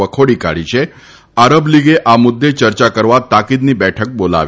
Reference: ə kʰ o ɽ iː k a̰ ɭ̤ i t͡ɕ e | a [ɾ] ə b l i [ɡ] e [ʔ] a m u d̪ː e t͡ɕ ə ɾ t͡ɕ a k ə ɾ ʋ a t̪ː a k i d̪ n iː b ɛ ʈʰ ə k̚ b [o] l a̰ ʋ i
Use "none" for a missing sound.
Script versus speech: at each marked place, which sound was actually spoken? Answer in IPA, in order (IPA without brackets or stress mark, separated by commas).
ɾ, ɡ, ʔ, o